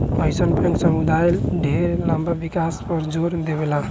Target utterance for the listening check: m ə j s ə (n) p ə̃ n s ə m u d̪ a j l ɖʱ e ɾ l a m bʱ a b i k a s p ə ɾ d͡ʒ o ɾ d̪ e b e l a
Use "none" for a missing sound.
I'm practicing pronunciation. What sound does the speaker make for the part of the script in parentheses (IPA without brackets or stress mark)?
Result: n